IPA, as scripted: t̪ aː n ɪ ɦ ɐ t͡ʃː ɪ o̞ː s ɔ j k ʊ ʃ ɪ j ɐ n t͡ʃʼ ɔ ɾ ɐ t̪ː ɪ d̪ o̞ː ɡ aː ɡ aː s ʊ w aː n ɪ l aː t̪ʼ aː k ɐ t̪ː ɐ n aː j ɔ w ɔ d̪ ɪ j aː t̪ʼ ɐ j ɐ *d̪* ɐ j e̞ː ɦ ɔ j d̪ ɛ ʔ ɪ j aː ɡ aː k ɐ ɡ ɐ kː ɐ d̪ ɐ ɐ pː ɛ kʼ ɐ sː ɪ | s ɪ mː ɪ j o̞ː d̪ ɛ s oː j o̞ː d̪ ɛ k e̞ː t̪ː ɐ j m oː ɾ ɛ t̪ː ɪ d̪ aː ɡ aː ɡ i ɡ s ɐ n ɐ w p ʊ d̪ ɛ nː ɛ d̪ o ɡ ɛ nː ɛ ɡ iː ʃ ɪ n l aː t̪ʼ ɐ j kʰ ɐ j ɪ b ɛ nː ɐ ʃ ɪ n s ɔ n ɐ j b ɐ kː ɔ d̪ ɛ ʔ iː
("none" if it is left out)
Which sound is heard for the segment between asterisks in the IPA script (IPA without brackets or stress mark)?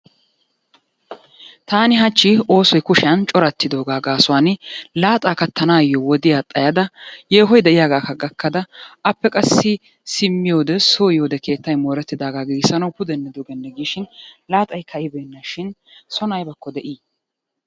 d̪